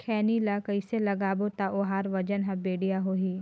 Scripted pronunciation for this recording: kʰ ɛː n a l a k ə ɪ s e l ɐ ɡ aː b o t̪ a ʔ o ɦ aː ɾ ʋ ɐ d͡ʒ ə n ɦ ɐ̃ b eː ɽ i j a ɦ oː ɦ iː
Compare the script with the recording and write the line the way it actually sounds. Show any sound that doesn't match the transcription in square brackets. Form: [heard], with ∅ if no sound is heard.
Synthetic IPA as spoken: kʰ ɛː n [i] l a k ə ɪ s e l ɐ ɡ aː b o t̪ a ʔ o ɦ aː ɾ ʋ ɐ d͡ʒ ə n ɦ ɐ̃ b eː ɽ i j a ɦ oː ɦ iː